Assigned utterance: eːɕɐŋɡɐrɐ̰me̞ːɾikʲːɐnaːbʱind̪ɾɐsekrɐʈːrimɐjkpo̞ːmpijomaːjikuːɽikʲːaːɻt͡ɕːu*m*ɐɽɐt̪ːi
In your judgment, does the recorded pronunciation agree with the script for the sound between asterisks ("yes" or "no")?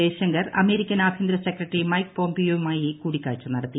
no